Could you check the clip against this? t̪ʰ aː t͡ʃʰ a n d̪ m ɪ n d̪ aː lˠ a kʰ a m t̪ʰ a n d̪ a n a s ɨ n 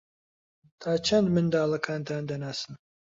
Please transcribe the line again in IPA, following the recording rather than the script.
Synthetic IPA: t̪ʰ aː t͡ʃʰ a n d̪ m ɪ n d̪ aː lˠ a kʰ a n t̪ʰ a n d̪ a n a s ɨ n